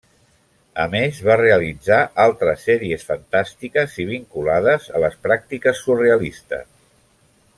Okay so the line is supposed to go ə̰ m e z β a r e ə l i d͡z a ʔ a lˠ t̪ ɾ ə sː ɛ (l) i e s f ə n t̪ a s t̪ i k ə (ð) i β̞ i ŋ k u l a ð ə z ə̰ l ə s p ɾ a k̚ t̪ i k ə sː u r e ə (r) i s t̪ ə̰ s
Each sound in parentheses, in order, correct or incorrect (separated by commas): incorrect, incorrect, incorrect